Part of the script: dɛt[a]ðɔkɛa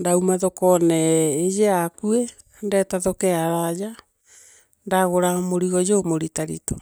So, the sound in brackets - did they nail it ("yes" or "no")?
yes